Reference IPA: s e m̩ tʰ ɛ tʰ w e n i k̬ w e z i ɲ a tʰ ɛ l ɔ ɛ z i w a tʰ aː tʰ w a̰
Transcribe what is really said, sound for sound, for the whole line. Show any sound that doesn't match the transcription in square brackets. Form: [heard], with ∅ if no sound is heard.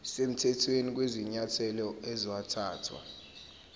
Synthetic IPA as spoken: s e m̩ tʰ ɛ tʰ w e n i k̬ w e z i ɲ a tʰ ɛ l ɔ ɛ z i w a tʰ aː tʰ w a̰